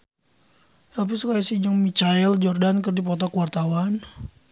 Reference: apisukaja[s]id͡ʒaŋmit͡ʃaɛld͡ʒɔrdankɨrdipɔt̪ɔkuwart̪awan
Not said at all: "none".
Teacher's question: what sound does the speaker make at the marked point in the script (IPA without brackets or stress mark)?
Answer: s